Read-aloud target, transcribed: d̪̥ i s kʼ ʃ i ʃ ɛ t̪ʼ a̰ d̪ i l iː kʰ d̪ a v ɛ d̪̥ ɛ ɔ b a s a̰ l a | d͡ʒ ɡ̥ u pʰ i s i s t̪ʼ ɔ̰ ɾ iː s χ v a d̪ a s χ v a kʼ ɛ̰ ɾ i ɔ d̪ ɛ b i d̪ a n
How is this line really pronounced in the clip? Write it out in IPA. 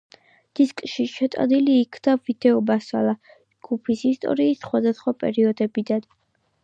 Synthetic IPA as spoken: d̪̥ i s kʼ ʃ i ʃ ɛ t̪ʼ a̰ d̪ i l iː kʰ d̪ a v i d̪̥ ɛ ɔ b a s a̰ l a | d͡ʒ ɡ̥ u pʰ i s i s t̪ʼ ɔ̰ ɾ iː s χ w a d̪ a s χ w a pʼ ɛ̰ ɾ i ɔ d̪ ɛ b i d̪ a n